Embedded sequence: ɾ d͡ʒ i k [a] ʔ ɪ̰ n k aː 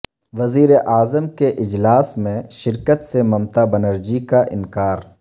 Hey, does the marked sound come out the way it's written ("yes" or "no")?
yes